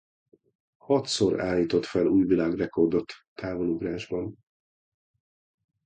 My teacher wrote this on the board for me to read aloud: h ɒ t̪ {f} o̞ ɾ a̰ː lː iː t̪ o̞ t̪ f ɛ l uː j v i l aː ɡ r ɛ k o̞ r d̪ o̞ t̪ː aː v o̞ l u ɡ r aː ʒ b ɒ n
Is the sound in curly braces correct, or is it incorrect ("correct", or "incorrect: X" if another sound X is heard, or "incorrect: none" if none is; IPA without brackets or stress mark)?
incorrect: s